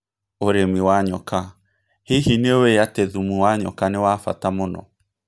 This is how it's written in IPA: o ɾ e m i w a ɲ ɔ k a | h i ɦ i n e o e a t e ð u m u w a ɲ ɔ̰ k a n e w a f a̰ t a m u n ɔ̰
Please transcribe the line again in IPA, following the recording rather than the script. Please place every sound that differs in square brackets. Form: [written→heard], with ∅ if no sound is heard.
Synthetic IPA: o ɾ e m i w a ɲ ɔ k a | h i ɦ i n e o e a t e ð u m u w a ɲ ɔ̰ k a n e w a f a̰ t a m [u→o] n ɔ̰

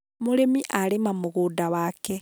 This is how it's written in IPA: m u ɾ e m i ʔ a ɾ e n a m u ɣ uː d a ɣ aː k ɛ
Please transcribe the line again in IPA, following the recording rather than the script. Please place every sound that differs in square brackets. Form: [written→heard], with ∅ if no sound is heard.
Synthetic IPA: m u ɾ e m i ʔ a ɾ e [n→m] a m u ɣ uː d a [ɣ→w] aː k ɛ

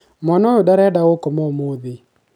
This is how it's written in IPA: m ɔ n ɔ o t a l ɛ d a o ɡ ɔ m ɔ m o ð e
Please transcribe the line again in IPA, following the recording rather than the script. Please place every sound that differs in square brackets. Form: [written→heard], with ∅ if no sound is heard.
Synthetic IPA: m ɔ n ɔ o [t→d] a [l→ɾ] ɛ d a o [ɡ→k] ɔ m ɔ m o ð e

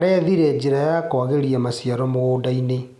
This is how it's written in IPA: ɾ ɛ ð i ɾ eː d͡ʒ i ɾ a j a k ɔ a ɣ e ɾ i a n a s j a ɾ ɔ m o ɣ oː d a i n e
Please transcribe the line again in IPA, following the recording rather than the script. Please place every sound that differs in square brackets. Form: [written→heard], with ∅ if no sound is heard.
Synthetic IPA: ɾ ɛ ð i ɾ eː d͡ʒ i ɾ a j a k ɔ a ɣ e ɾ i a [n→m] a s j a ɾ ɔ m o ɣ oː d a i n e

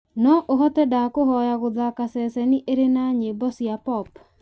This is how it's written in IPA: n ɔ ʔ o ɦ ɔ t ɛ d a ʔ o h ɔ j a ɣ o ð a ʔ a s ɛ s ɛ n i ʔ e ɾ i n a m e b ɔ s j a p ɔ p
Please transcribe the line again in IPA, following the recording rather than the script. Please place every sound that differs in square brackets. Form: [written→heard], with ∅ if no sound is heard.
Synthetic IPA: n ɔ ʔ o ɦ ɔ t ɛ d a [ʔ→k] o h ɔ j a ɣ o ð a [ʔ→k] a s ɛ s ɛ n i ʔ e ɾ [i→e] n a [m→ɲ] e b ɔ s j a p ɔ p

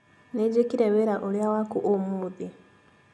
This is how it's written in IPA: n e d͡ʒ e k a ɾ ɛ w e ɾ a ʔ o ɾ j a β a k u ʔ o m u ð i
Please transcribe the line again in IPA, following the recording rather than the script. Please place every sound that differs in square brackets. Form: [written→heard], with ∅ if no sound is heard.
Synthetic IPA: n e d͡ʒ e k [a→i] ɾ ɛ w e ɾ a ʔ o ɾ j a [β→w] a k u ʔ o m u ð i

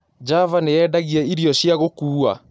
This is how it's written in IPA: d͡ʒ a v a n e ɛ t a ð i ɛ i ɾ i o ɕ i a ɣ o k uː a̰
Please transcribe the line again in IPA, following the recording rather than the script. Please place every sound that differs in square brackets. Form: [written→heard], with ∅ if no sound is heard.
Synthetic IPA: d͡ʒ a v a n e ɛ [t→d] a [ð→ɣ] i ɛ i ɾ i [o→ɔ] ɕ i a ɣ o k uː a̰

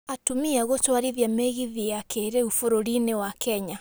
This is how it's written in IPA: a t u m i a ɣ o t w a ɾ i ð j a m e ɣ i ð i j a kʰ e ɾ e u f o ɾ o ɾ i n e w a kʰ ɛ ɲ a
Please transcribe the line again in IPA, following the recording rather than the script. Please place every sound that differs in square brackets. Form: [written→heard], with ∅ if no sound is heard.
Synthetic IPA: a t u m i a ɣ o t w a ɾ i ð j a m e ɣ i ð i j a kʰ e ɾ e u f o ɾ o ɾ i n e w a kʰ ɛ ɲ a

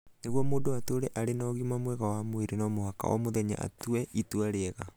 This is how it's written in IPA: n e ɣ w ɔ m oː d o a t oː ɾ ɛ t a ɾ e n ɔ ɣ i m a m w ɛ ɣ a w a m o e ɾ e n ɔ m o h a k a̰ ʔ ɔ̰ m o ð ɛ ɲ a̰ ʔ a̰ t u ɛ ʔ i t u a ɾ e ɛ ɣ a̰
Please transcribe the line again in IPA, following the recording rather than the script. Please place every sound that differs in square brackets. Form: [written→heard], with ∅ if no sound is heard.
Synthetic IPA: n e ɣ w ɔ m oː d o a t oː ɾ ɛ [t→ʔ] a ɾ e n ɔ ɣ i m a m w ɛ ɣ a w a m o e ɾ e n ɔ m o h a k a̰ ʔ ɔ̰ m o ð ɛ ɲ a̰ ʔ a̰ t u ɛ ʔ i t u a ɾ e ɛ ɣ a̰

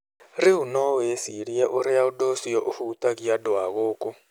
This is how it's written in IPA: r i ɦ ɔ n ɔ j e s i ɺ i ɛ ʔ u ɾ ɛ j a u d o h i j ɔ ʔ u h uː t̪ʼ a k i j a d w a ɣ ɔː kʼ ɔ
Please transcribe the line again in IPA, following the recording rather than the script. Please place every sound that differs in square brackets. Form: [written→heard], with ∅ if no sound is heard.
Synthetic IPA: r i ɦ [ɔ→u] n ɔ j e s i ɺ i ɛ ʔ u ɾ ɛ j a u d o [h→s] i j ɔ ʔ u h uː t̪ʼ a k i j a d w a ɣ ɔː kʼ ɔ

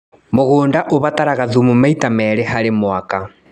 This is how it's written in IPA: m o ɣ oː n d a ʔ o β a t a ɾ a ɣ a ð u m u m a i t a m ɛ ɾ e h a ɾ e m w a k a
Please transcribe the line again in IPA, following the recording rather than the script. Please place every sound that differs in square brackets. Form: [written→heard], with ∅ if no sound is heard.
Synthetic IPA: m o ɣ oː n d a ʔ o β a t a ɾ a ɣ a ð u m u m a i t a m ɛ ɾ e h a ɾ e m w a k a

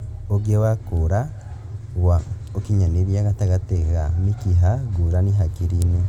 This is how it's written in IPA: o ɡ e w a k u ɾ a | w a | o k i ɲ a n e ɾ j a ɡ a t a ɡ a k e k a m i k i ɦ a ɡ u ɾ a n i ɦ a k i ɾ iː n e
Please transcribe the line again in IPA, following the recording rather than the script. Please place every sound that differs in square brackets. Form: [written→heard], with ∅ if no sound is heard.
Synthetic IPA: o ɡ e w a k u ɾ a | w a | o k i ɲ a n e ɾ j a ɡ a t a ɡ a [k→t] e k a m i k i ɦ a ɡ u ɾ a n i ɦ a k i ɾ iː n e

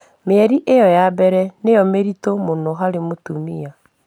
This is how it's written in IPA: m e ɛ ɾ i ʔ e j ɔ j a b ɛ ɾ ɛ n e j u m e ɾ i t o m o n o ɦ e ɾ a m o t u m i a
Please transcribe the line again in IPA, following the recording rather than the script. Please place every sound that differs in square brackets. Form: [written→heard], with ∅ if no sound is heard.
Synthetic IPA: m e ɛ ɾ i ʔ e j ɔ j a b ɛ ɾ ɛ n e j [u→ɔ] m e ɾ i t o m o n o ɦ [e→a] ɾ [a→e] m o t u m i a

